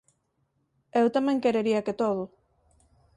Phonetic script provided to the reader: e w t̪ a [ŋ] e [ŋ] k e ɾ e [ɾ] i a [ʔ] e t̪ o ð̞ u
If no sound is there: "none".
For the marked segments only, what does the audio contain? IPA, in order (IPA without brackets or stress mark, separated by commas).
m, ŋ, ɾ, k